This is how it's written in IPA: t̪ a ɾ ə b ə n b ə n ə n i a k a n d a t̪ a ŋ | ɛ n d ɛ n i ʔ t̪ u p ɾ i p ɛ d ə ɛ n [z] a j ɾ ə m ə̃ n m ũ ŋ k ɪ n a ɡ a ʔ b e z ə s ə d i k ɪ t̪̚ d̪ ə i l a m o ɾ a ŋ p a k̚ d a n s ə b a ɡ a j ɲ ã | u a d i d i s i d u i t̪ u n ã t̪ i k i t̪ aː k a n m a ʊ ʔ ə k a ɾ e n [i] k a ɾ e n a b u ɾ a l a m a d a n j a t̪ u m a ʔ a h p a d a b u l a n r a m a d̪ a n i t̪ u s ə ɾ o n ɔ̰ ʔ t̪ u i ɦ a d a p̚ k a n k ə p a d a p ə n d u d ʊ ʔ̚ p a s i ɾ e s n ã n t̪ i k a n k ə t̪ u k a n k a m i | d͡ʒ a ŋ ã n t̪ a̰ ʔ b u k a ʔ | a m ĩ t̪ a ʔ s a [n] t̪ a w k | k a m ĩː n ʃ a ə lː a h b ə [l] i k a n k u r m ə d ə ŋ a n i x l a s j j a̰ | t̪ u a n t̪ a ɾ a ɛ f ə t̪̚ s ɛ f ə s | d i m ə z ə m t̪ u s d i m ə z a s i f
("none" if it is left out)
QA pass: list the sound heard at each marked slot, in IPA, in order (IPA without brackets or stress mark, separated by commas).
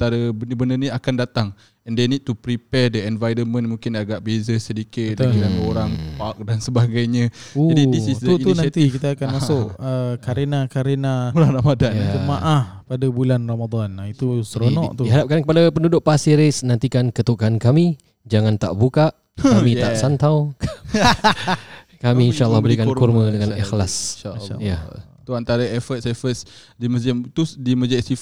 v, a, n, ɾ